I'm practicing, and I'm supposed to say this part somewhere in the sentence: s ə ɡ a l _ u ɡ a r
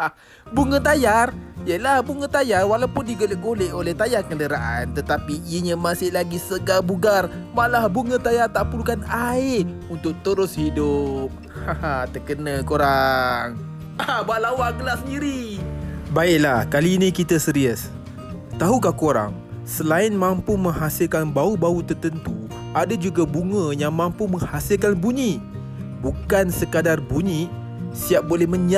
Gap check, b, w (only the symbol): b